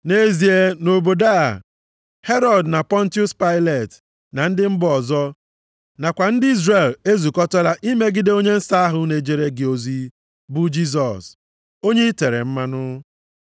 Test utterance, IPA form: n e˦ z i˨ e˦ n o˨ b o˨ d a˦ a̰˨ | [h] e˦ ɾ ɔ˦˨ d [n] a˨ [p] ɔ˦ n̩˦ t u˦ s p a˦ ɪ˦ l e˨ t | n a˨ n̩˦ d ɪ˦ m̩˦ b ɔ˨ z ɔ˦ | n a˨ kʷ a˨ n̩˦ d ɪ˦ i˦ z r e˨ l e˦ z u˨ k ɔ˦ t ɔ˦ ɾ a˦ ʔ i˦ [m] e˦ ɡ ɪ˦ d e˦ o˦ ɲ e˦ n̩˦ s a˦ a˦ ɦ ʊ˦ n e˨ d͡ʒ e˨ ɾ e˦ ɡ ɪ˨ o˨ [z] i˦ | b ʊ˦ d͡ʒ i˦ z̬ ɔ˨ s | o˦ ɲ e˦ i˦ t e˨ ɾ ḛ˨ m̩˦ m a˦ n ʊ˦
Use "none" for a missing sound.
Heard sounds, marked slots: h, n, p, m, z

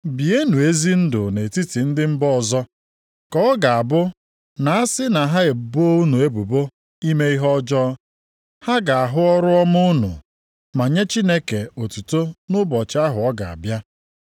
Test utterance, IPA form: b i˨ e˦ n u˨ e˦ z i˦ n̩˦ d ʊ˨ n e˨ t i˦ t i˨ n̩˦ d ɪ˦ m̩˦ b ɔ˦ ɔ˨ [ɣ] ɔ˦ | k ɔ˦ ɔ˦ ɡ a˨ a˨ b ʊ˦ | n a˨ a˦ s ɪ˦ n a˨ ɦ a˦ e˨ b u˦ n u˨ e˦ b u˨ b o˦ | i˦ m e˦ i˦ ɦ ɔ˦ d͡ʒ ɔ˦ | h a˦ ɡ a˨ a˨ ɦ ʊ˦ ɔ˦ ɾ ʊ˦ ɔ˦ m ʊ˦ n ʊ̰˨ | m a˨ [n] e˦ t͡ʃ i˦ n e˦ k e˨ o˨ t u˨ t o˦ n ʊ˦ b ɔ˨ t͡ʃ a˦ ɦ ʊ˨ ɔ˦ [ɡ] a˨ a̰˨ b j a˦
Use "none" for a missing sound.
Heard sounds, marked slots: z, ɲ, ɡ

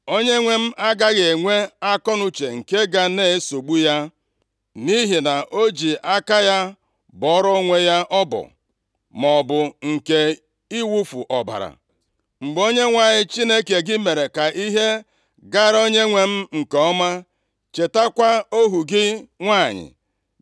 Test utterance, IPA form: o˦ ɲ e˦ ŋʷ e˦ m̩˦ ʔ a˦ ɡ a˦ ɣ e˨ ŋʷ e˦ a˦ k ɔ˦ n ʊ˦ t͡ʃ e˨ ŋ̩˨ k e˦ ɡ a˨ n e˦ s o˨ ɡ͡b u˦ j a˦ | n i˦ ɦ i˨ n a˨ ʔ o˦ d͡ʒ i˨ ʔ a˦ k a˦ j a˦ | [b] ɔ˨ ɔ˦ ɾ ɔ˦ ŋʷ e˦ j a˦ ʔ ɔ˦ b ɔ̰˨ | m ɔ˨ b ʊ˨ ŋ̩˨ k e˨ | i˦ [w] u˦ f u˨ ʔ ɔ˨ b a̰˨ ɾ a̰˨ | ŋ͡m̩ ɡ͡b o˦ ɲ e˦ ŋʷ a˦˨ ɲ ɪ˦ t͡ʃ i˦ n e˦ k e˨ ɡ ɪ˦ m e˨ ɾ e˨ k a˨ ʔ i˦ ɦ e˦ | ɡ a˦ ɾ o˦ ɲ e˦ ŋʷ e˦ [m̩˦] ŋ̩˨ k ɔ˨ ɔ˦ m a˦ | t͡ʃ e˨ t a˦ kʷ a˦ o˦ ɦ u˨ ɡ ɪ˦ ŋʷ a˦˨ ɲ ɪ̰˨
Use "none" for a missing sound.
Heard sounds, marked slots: b, w, m̩˦

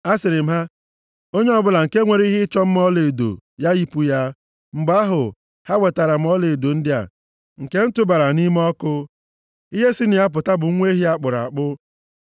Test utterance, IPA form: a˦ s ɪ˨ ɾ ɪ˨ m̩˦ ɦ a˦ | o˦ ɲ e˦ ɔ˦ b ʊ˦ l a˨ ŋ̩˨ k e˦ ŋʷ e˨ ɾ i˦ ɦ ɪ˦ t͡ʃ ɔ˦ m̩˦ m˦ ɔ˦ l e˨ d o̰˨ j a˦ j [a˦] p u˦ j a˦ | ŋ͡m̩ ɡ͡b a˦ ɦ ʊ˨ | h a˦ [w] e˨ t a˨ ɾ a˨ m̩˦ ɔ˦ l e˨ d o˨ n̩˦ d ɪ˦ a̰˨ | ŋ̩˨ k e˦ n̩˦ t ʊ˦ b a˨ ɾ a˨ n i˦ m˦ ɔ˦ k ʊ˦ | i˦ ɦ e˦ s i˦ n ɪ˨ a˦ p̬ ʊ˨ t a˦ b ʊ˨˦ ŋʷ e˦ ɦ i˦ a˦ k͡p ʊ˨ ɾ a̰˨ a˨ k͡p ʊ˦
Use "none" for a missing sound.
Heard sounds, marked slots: i˦, w

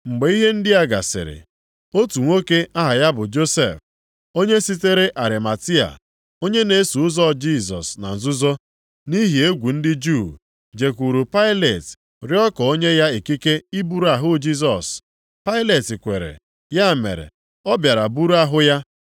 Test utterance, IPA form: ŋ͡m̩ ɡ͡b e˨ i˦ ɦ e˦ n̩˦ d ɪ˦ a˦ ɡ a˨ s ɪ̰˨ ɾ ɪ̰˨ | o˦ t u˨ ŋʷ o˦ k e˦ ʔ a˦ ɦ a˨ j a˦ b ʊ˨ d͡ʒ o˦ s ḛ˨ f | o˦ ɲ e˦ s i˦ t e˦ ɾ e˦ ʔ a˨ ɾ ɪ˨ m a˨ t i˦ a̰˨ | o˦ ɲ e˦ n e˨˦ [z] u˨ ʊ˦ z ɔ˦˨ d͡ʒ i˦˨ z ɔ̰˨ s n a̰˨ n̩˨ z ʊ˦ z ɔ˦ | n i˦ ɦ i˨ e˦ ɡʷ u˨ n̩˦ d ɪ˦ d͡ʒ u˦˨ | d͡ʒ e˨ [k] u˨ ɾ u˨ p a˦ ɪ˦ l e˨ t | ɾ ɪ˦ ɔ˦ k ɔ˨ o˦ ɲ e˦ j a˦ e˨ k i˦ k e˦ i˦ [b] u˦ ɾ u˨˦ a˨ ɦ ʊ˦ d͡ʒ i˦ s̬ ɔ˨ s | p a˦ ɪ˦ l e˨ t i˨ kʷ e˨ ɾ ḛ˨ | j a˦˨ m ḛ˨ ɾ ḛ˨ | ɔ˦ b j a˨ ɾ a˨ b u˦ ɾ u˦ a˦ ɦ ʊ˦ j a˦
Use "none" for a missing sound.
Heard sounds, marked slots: s, k, b

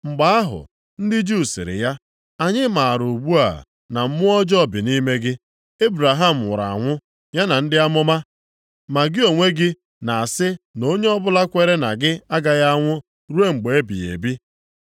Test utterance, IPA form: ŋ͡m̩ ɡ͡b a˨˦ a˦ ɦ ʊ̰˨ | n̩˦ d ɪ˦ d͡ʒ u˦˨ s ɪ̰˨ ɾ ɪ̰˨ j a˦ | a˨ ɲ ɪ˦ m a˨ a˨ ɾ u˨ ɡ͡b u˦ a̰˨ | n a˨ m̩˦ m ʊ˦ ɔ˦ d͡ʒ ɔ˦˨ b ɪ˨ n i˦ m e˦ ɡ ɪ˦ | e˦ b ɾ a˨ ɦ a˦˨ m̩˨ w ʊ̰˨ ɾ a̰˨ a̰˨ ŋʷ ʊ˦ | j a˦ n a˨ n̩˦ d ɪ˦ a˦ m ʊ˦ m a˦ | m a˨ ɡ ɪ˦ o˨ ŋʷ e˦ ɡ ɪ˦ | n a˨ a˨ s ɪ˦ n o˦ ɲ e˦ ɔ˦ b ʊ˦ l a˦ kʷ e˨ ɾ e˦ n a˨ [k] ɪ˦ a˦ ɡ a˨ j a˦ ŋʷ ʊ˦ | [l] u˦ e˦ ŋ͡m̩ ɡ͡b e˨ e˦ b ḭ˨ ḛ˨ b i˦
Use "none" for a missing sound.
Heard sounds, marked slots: ɡ, ɾ

